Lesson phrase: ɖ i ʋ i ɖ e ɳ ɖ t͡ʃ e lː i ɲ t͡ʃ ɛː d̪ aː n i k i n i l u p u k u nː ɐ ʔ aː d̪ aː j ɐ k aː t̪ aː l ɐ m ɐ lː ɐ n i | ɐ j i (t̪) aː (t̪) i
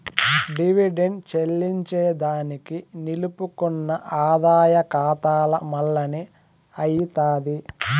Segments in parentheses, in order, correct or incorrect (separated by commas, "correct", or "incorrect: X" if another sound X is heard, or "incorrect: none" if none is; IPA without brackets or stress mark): correct, incorrect: d̪